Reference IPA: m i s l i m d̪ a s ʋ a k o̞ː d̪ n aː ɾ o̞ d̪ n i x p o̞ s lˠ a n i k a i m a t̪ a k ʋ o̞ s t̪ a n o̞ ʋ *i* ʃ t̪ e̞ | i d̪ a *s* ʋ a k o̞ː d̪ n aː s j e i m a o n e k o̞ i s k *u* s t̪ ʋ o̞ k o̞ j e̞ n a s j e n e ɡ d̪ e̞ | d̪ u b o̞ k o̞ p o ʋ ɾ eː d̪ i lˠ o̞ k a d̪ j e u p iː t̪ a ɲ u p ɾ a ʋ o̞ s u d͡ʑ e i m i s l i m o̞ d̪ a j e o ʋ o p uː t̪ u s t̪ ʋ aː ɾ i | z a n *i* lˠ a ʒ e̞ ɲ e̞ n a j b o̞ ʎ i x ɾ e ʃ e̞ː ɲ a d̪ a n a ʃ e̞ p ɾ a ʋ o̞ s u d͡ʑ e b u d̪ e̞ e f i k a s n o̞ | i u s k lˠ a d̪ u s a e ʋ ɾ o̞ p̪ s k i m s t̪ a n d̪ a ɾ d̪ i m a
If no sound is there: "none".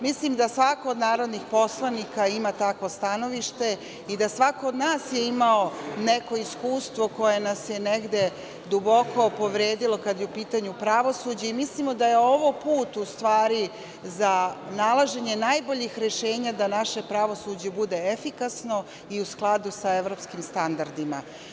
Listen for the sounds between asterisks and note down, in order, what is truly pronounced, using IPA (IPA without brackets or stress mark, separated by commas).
i, s, uː, a